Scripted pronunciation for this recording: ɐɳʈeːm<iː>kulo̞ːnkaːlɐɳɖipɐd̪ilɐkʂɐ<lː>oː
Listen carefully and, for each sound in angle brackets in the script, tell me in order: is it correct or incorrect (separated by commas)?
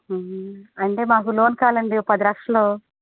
incorrect, incorrect